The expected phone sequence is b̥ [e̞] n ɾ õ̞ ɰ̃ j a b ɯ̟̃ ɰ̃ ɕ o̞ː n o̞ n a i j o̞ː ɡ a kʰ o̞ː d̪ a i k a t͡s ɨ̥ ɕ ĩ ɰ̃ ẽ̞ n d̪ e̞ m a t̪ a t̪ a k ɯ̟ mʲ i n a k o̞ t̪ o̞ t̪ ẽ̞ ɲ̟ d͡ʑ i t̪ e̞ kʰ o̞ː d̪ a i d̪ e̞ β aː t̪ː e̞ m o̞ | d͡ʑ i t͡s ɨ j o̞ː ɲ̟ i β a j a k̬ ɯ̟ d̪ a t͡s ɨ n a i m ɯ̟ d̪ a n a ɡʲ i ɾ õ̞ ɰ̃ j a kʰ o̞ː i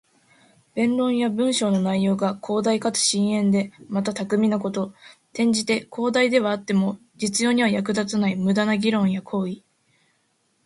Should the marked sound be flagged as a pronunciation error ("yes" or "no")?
yes